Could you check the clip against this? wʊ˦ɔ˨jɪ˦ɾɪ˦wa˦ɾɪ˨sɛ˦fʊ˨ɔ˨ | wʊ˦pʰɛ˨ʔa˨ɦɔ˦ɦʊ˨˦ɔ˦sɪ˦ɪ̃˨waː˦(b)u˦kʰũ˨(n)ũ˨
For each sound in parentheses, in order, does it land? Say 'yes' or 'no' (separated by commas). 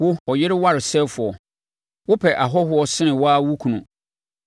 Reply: no, yes